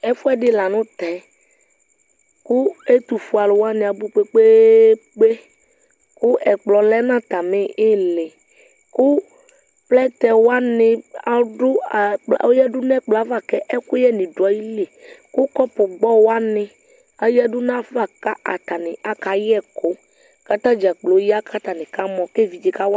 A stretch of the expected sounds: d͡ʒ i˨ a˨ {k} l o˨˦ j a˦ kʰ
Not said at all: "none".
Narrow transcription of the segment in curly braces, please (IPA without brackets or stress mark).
k͡p